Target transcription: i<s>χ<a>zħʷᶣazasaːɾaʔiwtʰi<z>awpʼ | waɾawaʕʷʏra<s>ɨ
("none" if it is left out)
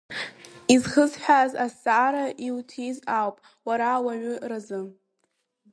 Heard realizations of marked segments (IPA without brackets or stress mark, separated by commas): z, ə, z, z